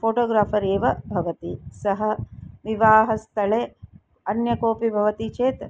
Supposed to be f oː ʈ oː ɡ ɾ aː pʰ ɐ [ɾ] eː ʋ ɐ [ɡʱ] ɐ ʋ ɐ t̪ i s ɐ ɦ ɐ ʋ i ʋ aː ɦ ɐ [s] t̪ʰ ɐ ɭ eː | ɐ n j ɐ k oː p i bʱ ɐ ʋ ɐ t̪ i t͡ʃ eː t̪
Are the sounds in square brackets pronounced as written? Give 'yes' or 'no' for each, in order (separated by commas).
yes, no, yes